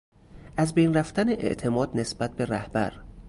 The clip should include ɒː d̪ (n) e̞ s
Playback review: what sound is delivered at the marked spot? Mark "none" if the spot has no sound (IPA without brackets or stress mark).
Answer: n